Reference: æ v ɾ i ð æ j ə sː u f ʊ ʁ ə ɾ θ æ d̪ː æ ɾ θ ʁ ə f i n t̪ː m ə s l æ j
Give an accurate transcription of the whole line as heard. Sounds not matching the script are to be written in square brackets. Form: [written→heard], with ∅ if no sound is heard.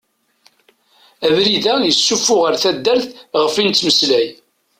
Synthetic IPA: æ v ɾ i ð æ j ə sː u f ʊ ʁ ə ɾ θ æ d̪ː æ ɾ θ ʁ ə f i n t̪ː m ə s l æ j

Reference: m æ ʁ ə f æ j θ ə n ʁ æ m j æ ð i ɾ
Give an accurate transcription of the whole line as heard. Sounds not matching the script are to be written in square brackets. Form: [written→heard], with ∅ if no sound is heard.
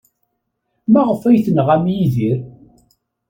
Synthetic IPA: m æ ʁ ə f æ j θ ə n ʁ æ m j [æ→i] ð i ɾ

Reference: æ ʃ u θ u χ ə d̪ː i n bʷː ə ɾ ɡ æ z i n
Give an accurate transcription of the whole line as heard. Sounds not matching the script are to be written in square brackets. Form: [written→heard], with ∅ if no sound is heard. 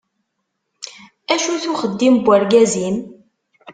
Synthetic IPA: æ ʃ u θ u χ ə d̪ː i [n→m] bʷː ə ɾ ɡ æ z i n

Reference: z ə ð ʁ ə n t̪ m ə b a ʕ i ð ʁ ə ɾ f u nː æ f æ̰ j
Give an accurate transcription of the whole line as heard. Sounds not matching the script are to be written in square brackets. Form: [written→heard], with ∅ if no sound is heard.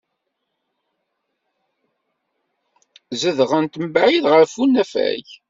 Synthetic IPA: z ə ð ʁ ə n t̪ m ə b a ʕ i ð ʁ ə ɾ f u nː æ f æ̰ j

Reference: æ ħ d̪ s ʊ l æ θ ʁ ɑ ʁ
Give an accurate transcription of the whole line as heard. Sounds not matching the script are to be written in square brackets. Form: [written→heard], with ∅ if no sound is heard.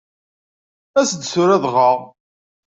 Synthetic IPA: æ [ħ→s] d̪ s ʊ [l→ɾ] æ [θ→ð] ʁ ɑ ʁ

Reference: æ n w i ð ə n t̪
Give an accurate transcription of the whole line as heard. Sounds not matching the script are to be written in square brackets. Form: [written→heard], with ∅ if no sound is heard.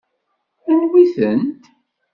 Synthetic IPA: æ n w i [ð→θ] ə n t̪

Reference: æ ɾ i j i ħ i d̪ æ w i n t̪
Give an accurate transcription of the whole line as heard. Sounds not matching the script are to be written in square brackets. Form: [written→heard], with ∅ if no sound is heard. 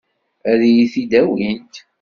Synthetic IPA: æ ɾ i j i [ħ→θ] i d̪ æ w i n t̪

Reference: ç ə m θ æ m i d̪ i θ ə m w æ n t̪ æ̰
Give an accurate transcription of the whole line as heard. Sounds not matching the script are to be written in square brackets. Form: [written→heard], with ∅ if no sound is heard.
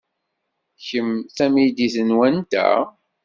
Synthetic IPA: ç ə m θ æ m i d̪ i θ ə [m→n] w æ n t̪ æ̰

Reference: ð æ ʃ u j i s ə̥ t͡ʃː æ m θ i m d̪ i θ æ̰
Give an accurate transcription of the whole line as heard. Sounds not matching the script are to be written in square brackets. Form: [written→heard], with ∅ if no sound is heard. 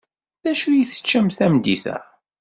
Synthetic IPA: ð æ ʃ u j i [s→θ] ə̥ t͡ʃː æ m θ [i→æ] m d̪ i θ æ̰

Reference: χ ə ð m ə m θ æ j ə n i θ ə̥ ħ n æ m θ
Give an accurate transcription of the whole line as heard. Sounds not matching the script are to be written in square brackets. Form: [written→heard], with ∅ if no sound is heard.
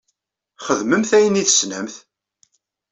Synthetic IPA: χ ə ð m ə m θ æ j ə n i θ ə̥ [ħ→s] n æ m θ

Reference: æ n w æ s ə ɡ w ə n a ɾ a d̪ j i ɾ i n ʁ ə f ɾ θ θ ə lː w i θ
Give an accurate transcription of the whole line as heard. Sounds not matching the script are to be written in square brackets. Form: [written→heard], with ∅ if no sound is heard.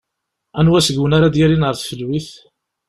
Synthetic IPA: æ n w æ s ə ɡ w ə n a ɾ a d̪ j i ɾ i n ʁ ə [f→∅] ɾ θ [θ→f] ə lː w i θ

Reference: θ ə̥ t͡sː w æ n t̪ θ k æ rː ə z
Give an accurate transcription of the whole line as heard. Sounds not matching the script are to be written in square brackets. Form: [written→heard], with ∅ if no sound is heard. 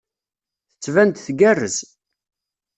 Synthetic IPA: θ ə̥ t͡sː [w→v] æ n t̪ θ [k→ɡ] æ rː ə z

